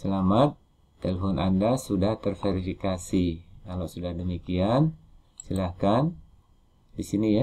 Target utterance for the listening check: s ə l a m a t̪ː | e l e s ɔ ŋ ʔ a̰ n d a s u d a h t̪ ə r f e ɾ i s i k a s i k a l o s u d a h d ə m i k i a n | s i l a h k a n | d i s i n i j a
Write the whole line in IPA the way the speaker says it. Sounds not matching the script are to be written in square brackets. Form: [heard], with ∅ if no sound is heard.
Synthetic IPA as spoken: s ə l a m a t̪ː | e l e [f] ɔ [n] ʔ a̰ n d a s u d a h t̪ ə r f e ɾ i [f] i k a s i k a l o s u d a h d ə m i k i a n | s i l a h k a n | d i s i n i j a

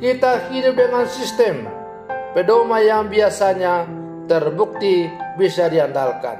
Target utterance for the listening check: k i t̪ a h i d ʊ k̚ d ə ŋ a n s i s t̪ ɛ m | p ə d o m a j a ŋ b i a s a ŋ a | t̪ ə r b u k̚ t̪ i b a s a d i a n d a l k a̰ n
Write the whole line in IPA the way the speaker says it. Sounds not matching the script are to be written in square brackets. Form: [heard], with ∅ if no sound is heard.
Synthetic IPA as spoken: k i t̪ a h i d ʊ [p̚] d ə ŋ a n s i s t̪ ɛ m | p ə d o m a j a ŋ b i a s a [ɲ] a | t̪ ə r b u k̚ t̪ i b [i] s a d i a n d a l k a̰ n

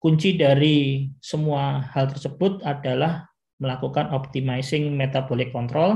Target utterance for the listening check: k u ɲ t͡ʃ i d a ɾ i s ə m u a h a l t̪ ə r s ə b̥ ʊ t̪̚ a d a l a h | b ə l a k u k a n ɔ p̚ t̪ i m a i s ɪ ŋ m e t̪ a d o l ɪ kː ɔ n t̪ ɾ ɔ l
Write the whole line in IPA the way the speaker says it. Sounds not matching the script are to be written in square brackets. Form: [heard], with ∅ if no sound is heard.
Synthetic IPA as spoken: k u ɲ t͡ʃ i d a ɾ i s ə m u a h a l t̪ ə r s ə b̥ ʊ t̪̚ a d a l a h | [m] ə l a k u k a n ɔ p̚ t̪ i m a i s ɪ ŋ m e t̪ a [b] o l ɪ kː ɔ n t̪ ɾ ɔ l

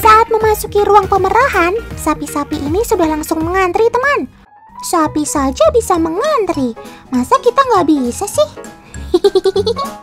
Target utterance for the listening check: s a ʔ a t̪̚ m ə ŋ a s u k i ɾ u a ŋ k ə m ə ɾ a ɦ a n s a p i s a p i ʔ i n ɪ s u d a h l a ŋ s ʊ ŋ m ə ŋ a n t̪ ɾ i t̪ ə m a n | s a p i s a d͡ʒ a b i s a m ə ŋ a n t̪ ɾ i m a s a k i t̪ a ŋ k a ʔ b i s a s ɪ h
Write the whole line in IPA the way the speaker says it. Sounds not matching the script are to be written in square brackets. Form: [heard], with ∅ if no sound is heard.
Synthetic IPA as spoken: s a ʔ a t̪̚ m ə [m] a s u k i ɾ u a ŋ [p] ə m ə ɾ a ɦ a n s a p i s a p i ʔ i n [i] s u d a h l a ŋ s ʊ ŋ m ə ŋ a n t̪ ɾ i t̪ ə m a n | s a p i s a d͡ʒ a b i s a m ə ŋ a n t̪ ɾ i m a s a k i t̪ a ŋ [ɡ] a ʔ b i s a s ɪ h

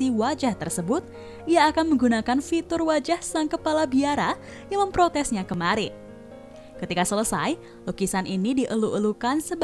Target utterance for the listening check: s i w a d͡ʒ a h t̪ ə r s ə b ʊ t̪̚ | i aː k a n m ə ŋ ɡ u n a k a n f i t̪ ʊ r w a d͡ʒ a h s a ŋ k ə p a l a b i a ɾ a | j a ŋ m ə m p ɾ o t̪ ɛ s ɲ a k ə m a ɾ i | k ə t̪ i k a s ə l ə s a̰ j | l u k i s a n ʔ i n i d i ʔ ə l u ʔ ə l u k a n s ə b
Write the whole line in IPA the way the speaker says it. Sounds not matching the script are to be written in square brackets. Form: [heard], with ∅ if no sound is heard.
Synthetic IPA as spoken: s i w a d͡ʒ a h t̪ ə r s ə b ʊ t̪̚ | i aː k a n m ə ŋ ɡ u n a k a n f i t̪ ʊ r w a d͡ʒ a h s a ŋ k ə p a l a b i a ɾ a | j a ŋ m ə m p ɾ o t̪ ɛ s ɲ a k ə m a ɾ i | k ə t̪ i k a s ə l ə s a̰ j | l u k i s a n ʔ i n i d i ʔ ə l u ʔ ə l u k a n s ə b

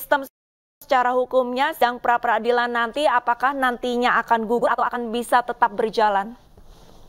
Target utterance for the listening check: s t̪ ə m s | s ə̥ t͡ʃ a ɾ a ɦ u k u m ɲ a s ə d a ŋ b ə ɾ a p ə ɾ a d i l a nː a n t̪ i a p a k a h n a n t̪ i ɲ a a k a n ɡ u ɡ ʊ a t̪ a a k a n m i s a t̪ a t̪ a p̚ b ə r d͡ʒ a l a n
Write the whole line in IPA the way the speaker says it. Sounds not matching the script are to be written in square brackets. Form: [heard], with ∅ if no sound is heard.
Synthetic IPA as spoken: s t̪ ə m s | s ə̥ t͡ʃ a ɾ a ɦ u k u m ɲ a s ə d a ŋ [p] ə ɾ a p ə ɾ a d i l a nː a n t̪ i a p a k a h n a n t̪ i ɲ a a k a n ɡ u ɡ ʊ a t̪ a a k a n [b] i s a t̪ [ə] t̪ a p̚ b ə r d͡ʒ a l a n

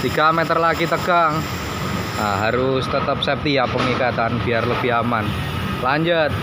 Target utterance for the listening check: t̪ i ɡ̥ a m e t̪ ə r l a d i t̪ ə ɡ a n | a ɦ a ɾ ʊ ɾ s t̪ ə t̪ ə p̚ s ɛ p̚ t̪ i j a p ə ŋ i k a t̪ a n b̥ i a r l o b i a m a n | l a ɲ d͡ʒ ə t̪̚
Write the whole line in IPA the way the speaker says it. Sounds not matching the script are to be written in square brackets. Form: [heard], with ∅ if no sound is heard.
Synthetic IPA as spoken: t̪ i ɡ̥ a m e t̪ ə r l a [ɡ] i t̪ ə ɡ a [ŋ] | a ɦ a ɾ ʊ [∅] s t̪ ə t̪ ə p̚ s ɛ p̚ t̪ i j a p ə ŋ i k a t̪ a n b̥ i a r l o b i a m a n | l a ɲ d͡ʒ ə t̪̚

